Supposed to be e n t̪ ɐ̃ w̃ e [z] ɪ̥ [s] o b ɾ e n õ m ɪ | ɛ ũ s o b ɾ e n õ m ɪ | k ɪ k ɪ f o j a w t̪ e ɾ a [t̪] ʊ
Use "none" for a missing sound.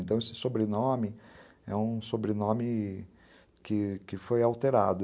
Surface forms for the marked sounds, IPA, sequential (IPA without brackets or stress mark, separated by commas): s, s, d̪